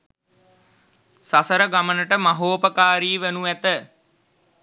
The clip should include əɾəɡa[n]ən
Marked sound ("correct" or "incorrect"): incorrect